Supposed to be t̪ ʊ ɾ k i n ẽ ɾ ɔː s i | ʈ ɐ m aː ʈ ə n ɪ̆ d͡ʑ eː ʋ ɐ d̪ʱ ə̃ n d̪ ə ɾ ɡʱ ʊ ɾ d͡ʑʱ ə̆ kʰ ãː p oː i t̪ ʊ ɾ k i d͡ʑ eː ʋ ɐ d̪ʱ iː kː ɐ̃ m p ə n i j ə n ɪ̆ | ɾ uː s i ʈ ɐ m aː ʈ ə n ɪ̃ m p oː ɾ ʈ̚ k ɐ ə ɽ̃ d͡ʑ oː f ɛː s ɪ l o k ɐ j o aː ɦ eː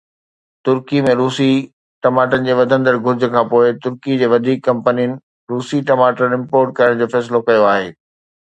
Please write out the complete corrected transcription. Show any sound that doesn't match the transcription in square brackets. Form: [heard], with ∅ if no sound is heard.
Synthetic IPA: t̪ ʊ ɾ k i [m] ẽ ɾ [uː] s i | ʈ ɐ m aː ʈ ə n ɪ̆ d͡ʑ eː ʋ ɐ d̪ʱ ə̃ n d̪ ə ɾ ɡʱ ʊ ɾ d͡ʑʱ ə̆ kʰ ãː p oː [ɪ] t̪ ʊ ɾ k i d͡ʑ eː ʋ ɐ d̪ʱ iː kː ɐ̃ m p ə n i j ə n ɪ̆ | ɾ uː s i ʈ ɐ m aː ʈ ə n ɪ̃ m p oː ɾ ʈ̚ k ɐ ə ɽ̃ d͡ʑ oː f ɛː s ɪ l o k ɐ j o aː ɦ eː